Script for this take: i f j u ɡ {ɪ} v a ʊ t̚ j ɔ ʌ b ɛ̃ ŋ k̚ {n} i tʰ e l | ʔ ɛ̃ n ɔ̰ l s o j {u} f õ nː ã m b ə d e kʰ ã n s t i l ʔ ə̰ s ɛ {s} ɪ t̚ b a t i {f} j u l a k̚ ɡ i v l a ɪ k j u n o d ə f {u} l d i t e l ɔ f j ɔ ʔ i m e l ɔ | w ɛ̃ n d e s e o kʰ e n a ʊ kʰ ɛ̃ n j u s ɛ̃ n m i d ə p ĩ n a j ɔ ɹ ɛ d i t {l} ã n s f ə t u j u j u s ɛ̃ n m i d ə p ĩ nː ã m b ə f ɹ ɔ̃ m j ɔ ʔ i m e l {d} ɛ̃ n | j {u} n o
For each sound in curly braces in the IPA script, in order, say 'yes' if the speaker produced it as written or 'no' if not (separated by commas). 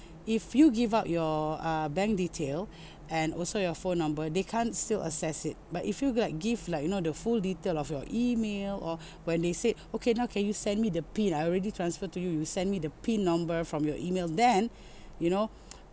no, no, no, yes, yes, yes, no, yes, yes